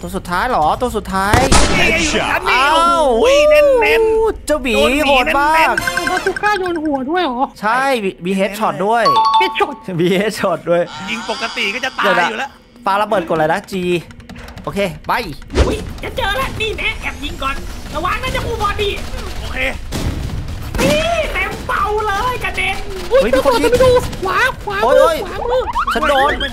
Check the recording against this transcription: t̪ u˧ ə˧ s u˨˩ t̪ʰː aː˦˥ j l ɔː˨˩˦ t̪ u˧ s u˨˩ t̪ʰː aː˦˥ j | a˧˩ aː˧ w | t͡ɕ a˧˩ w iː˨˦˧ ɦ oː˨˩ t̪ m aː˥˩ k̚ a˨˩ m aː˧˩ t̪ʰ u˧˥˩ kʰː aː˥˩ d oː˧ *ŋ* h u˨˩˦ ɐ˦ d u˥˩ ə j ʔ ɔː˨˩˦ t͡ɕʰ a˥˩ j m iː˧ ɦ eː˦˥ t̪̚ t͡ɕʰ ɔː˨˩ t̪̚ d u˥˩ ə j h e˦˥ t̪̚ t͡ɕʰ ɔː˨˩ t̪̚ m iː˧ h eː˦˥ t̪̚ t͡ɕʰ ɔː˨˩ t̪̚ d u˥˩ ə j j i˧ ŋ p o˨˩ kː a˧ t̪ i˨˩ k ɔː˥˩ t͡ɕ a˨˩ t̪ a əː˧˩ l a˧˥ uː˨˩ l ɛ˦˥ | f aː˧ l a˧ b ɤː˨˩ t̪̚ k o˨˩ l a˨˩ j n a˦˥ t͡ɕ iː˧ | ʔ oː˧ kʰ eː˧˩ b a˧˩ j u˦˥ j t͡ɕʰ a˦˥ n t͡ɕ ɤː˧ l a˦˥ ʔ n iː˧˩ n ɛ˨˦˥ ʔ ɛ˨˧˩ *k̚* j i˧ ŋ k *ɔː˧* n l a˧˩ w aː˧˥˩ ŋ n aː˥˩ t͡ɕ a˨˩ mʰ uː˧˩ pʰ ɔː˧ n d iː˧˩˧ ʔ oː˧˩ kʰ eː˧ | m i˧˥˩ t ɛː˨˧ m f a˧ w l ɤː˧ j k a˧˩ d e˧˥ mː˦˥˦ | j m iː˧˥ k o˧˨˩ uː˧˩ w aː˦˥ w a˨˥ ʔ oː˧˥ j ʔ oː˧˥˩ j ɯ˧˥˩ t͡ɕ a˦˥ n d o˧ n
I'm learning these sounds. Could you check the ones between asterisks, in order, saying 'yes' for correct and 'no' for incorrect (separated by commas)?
no, no, yes